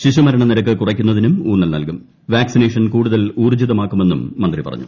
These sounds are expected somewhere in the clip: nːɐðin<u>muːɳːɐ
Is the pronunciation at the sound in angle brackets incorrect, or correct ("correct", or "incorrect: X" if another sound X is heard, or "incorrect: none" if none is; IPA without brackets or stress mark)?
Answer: correct